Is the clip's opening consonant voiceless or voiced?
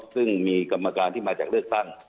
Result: voiceless